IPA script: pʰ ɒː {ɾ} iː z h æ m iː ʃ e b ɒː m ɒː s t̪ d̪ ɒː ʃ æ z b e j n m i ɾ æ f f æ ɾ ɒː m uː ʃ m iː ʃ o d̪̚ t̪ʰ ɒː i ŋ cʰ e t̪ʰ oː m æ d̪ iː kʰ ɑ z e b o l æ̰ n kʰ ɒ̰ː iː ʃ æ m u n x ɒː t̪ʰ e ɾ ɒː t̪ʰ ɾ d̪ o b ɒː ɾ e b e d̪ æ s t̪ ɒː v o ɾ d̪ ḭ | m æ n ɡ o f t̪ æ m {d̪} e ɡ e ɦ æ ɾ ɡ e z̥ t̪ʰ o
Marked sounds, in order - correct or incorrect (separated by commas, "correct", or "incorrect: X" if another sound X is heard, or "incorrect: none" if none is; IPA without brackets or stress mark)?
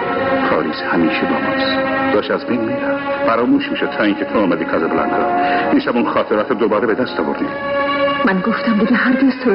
correct, correct